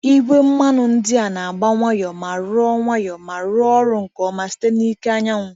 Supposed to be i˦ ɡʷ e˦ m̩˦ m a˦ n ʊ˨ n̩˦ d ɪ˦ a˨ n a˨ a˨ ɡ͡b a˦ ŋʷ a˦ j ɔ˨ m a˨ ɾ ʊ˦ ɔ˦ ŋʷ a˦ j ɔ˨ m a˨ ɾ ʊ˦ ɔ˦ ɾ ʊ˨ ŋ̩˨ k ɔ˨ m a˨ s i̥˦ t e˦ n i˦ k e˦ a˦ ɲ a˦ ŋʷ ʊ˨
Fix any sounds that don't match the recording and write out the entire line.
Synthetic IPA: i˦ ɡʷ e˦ m̩˦ m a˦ n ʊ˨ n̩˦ d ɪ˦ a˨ n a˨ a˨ ɡ͡b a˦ ŋʷ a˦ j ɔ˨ m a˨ ɾ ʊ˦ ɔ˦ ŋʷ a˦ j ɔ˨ m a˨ ɾ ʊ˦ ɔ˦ ɾ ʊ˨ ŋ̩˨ k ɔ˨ m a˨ s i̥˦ t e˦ n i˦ k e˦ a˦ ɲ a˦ ŋʷ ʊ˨